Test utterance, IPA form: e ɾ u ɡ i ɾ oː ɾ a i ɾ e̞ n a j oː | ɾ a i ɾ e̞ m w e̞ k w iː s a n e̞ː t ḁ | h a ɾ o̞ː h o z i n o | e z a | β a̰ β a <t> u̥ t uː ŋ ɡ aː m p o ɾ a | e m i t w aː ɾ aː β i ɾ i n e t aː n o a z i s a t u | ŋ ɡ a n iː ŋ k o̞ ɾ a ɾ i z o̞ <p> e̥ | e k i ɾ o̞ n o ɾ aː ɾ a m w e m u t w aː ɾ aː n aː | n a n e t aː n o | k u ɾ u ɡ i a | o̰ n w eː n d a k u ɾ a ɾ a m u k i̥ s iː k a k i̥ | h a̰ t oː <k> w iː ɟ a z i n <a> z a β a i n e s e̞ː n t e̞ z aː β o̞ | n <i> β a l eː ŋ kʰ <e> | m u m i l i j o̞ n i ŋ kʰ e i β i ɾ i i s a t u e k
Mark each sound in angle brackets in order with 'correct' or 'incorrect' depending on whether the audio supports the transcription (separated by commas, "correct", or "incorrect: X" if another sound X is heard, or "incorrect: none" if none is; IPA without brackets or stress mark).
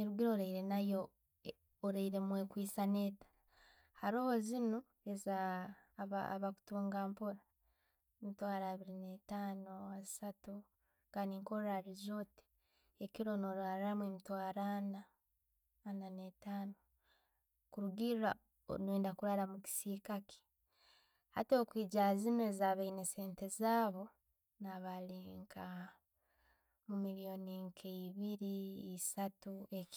incorrect: k, incorrect: t, correct, incorrect: e, incorrect: a, incorrect: a